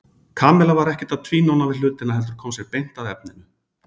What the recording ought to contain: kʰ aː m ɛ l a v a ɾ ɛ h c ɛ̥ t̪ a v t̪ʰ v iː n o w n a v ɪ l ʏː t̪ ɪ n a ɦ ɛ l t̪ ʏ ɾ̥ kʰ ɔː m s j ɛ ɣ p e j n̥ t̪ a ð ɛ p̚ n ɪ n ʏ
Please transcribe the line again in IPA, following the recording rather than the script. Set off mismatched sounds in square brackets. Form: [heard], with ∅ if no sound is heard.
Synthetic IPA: kʰ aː m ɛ l a v a ɾ ɛ h c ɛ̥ t̪ a [ð] t̪ʰ v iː n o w n a v ɪ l ʏː t̪ ɪ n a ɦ ɛ l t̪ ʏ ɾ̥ kʰ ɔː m s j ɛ ɣ p e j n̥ t̪ a ð ɛ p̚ n ɪ n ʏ